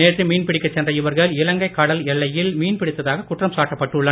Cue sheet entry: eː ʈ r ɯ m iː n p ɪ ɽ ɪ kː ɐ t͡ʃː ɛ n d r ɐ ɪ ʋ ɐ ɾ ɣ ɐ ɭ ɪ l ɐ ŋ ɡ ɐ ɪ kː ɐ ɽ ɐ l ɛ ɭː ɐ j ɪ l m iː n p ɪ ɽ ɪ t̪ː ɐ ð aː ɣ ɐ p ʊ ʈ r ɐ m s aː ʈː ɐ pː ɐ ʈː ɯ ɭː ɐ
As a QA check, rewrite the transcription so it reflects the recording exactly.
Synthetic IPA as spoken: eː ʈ r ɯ m iː n p ɪ ɽ ɪ kː ɐ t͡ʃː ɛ n d r ɐ ɪ ʋ ɐ ɾ ɣ ɐ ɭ ɪ l ɐ ŋ ɡ ɐ ɪ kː ɐ ɽ ɐ l ɛ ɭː ɐ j ɪ l m iː n p ɪ ɽ ɪ t̪ː ɐ ð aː ɣ ɐ k ʊ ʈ r ɐ m s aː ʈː ɐ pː ɐ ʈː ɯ ɭː ɐ